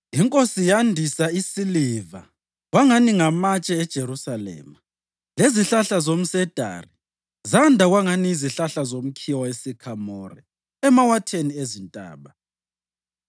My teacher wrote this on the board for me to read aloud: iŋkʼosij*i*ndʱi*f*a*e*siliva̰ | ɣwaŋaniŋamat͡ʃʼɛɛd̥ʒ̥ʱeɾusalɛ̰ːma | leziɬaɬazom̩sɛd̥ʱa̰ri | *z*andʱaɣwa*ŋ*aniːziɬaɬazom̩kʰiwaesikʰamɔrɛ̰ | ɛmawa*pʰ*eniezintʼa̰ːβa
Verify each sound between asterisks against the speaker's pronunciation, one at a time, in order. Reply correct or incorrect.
incorrect: a, incorrect: s, incorrect: i, correct, correct, incorrect: tʰ

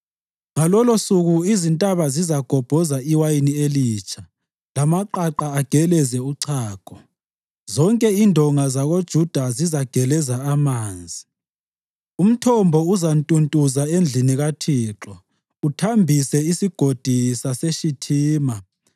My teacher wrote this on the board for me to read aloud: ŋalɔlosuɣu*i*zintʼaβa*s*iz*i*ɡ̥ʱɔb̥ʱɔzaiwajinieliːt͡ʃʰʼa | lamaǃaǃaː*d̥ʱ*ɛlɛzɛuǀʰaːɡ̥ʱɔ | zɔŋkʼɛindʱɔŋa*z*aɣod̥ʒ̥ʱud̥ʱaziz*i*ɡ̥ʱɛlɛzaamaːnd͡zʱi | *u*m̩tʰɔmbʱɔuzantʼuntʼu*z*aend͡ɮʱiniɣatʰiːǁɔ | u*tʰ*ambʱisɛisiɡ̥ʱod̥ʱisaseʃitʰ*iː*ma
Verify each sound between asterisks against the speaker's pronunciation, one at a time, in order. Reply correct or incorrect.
correct, incorrect: z, incorrect: a, incorrect: ɡ̥ʱ, correct, incorrect: a, correct, correct, correct, correct

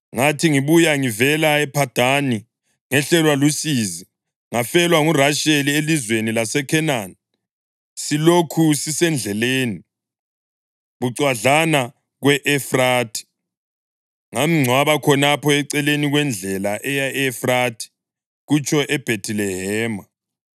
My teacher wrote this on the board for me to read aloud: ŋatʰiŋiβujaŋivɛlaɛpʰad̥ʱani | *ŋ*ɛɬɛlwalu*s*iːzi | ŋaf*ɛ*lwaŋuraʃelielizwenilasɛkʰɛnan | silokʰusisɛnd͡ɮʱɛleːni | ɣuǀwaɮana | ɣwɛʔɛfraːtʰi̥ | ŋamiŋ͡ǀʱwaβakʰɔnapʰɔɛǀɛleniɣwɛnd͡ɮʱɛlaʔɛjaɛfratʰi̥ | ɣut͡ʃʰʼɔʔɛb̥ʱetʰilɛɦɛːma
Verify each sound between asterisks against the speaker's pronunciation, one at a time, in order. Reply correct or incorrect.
correct, correct, correct

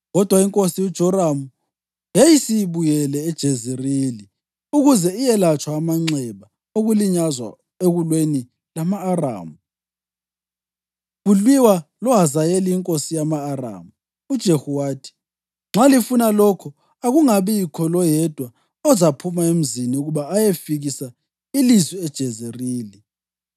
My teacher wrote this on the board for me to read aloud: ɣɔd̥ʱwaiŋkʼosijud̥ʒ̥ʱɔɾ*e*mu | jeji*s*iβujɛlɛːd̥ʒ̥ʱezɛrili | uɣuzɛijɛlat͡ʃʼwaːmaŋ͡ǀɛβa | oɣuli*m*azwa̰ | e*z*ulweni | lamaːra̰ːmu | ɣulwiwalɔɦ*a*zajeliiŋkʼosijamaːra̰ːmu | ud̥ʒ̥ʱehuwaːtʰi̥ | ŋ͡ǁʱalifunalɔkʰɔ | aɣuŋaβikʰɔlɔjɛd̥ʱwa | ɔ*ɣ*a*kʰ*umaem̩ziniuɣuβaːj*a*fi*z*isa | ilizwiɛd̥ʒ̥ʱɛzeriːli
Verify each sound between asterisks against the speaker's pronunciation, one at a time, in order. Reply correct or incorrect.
incorrect: a, correct, incorrect: ɲ, incorrect: ɣ, correct, incorrect: z, incorrect: pʰ, incorrect: e, incorrect: ɣ

